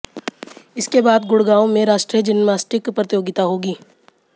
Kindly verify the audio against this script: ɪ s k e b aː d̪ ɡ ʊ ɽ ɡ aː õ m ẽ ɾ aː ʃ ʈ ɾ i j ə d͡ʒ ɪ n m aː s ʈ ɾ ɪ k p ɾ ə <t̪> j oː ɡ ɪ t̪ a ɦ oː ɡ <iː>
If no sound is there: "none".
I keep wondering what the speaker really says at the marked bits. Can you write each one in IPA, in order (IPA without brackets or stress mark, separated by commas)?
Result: t̪, iː